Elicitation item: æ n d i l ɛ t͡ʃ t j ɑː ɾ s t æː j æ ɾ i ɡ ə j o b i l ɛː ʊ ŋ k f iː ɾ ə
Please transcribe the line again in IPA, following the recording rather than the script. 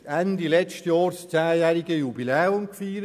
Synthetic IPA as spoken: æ n d i l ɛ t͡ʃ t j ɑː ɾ s t͡s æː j æ ɾ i ɡ ə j u b i l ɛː ʊ m k f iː ɾ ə